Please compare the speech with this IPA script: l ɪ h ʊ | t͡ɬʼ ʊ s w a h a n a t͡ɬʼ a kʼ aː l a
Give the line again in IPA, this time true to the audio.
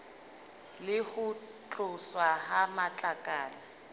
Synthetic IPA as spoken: l ɪ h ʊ | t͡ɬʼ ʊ s w a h a m a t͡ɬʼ a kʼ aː l a

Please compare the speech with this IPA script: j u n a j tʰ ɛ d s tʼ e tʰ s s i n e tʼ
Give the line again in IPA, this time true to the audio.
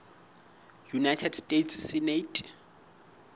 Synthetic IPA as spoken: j u n a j tʰ ɛ d s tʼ e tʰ s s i n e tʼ

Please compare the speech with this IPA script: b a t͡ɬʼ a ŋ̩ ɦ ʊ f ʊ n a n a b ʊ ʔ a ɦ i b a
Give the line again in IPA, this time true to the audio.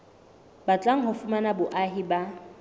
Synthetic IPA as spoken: b a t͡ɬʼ a ŋ̩ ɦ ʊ f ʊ m a n a b ʊ ʔ a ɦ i b a

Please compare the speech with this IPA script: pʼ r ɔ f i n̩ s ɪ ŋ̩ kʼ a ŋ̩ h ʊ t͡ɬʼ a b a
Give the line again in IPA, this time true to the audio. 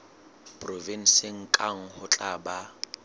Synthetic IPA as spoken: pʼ r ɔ v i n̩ s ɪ ŋ̩ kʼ a ŋ̩ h ʊ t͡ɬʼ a b a

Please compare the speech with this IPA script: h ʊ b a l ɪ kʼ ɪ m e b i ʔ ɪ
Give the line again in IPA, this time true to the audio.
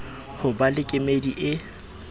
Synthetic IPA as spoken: h ʊ b a l ɪ kʼ ɪ m e d i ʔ ɪ

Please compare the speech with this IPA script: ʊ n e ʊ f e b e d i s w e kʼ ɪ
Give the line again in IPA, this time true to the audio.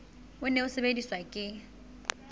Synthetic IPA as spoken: ʊ n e ʊ s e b e d i s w a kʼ ɪ

